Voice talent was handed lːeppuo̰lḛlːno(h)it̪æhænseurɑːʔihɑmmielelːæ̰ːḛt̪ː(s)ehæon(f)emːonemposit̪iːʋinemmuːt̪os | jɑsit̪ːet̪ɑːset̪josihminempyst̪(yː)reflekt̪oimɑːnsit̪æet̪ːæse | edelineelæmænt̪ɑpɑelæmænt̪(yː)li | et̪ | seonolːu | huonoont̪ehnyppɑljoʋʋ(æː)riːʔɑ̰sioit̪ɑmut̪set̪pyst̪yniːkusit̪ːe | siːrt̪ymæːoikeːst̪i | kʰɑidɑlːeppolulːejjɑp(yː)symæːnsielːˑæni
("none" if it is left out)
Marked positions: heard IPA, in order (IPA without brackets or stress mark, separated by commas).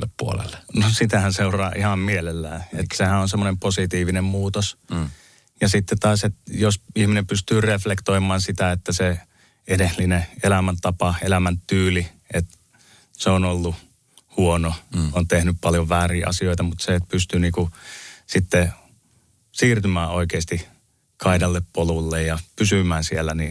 s, s, s, yː, yː, æː, y